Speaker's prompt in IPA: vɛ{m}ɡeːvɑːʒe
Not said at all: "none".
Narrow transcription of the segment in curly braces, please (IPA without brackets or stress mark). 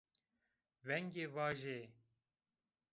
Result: ŋ